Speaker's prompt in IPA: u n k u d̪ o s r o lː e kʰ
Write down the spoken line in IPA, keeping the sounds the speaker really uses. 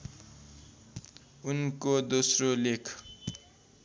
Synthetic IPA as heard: u n k o d̪ o s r o l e kʰ